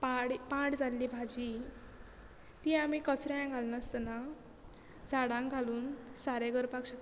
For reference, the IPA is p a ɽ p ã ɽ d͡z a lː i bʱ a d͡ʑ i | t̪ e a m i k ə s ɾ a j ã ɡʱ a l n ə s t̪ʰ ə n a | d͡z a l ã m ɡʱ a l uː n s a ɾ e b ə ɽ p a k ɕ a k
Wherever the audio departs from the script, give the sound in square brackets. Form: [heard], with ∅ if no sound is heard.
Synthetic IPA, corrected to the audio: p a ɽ p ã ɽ d͡z a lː i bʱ a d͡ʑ i | t̪ [i] a m i k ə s ɾ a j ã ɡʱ a l n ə s [t̪] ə n a | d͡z a [ɽ] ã [ŋ] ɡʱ a l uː n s a ɾ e [ɡ] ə [ɾ] p a k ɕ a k